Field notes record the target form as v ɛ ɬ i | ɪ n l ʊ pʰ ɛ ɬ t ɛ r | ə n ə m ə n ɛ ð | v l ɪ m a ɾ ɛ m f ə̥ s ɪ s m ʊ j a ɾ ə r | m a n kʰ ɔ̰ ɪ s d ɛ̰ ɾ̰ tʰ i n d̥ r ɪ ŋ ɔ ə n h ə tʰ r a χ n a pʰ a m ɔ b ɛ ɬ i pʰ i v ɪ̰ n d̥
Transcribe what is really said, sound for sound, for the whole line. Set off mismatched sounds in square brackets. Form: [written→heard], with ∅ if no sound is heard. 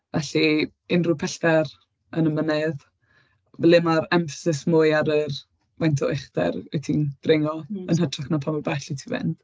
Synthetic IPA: v ɛ ɬ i | ɪ n [l→r] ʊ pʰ ɛ ɬ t ɛ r | ə n ə m ə n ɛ ð | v l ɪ m a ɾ ɛ m f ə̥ s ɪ s m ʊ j a ɾ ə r | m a n [kʰ→tʰ] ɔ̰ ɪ [s→χ] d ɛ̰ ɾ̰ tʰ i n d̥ r ɪ ŋ ɔ ə n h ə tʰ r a χ n a pʰ a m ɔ b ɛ ɬ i [pʰ→tʰ] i v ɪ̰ n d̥